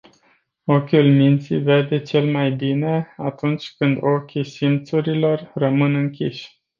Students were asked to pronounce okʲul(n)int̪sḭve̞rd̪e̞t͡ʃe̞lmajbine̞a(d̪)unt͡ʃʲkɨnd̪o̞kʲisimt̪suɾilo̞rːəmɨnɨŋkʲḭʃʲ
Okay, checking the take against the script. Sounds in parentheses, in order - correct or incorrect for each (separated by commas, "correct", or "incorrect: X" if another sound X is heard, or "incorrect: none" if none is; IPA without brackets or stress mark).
incorrect: m, incorrect: t̪